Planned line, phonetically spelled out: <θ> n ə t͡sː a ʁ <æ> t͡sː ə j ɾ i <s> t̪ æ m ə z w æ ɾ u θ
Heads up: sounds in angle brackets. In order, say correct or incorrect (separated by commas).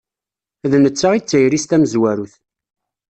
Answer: incorrect, incorrect, correct